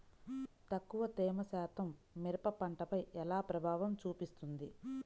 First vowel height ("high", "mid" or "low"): low